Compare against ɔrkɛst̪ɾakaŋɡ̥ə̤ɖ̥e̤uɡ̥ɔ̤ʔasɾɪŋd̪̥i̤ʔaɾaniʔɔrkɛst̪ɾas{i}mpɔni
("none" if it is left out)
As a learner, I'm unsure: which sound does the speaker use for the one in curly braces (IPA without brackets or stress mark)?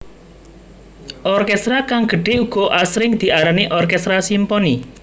i